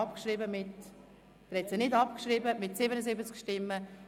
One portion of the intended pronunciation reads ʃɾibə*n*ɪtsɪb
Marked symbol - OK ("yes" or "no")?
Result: no